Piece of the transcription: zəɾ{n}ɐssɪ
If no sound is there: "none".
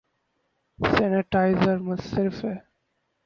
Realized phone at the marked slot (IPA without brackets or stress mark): m